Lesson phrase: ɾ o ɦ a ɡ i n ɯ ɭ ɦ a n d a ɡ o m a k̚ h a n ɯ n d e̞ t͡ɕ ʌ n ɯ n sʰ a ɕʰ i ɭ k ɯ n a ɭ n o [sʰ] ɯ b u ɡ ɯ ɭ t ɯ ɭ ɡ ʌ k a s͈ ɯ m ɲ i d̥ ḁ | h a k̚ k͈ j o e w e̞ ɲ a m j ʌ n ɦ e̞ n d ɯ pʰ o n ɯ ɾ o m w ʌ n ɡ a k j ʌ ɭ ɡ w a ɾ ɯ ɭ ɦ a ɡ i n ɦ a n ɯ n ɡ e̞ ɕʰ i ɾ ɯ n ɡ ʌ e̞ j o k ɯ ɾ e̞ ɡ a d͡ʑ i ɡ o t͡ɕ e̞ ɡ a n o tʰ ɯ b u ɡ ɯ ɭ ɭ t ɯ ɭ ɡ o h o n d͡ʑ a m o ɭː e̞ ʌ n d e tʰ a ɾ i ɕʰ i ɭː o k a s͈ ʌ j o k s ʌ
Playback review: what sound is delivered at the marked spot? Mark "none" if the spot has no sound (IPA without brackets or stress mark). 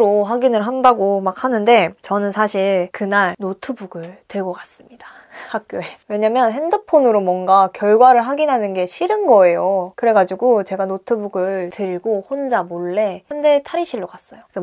tʰ